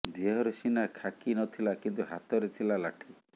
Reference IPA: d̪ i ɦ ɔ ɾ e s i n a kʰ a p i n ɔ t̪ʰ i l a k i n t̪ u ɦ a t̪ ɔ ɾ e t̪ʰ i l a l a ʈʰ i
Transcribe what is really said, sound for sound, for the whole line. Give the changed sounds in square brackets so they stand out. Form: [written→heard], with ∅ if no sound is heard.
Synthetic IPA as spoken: d̪ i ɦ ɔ ɾ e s i n a kʰ a [p→k] i n ɔ t̪ʰ i l a k i n t̪ u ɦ a t̪ ɔ ɾ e t̪ʰ i l a l a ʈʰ i